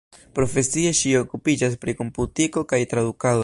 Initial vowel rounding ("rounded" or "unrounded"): rounded